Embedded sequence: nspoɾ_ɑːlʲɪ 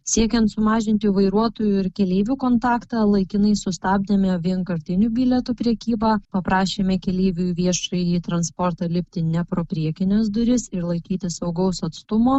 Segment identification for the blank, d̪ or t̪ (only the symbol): t̪